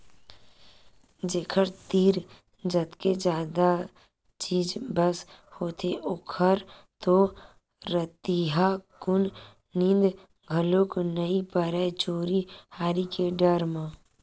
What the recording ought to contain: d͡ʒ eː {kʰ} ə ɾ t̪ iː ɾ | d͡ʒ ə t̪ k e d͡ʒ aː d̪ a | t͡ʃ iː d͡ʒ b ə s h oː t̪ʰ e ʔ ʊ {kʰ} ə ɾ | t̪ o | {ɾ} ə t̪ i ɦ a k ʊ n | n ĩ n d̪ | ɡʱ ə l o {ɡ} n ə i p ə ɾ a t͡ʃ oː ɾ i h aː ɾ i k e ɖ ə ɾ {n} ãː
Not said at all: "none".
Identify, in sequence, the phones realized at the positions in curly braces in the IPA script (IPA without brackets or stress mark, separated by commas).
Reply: kʰ, kʰ, ɾ, k, m